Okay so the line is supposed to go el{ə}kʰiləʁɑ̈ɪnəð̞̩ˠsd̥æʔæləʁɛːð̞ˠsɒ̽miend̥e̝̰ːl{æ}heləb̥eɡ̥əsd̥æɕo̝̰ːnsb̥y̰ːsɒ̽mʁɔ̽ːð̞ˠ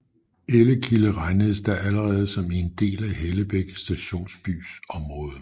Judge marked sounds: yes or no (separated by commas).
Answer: yes, yes